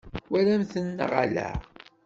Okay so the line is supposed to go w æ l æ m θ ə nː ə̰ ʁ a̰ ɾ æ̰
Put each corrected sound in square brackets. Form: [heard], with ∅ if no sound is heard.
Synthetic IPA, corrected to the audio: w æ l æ m θ ə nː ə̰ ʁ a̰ [l] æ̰